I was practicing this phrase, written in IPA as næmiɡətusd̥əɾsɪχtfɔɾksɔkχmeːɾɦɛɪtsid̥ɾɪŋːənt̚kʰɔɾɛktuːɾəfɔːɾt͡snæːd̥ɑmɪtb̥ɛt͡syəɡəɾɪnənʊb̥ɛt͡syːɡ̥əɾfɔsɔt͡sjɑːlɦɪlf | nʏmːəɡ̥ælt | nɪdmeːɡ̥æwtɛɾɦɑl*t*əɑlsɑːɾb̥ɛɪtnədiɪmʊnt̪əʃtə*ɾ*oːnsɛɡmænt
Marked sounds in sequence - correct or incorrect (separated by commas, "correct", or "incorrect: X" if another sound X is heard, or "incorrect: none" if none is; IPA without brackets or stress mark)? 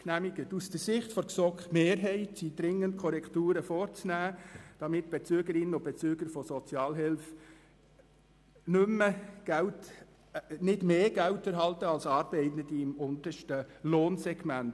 correct, incorrect: l